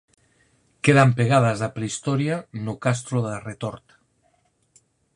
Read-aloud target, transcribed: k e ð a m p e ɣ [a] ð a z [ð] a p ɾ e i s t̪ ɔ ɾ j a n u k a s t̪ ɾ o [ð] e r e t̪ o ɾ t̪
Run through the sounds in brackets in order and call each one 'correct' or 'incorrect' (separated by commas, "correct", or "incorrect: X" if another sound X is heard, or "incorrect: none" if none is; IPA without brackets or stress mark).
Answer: correct, correct, correct